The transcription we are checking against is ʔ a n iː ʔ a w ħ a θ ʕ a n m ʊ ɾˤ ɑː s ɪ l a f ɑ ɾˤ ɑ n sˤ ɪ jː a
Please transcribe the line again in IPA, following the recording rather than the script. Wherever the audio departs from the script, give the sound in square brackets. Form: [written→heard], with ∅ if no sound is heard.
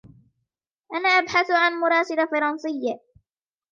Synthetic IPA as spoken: ʔ a n [iː→aː] ʔ a [w→b] ħ a θ ʕ a n m ʊ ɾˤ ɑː s ɪ l a f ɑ ɾˤ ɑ n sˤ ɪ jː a